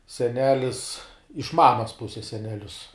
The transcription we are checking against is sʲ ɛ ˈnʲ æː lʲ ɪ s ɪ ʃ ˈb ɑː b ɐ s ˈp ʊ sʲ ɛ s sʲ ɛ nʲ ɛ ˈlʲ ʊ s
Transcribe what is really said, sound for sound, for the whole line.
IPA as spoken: sʲ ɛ ˈnʲ æː lʲ ɪ s ɪ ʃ ˈm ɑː m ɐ s ˈp ʊ sʲ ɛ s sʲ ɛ nʲ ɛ ˈlʲ ʊ s